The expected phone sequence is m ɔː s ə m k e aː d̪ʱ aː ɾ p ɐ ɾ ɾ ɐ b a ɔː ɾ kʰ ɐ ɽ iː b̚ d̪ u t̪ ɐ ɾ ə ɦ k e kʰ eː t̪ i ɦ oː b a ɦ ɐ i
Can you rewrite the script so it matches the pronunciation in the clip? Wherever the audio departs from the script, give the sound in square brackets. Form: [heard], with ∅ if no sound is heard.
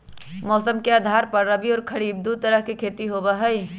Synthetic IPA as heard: m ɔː s ə m k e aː d̪ʱ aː ɾ p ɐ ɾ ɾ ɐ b [i] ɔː ɾ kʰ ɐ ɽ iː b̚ d̪ u t̪ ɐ ɾ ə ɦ k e kʰ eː t̪ i ɦ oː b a ɦ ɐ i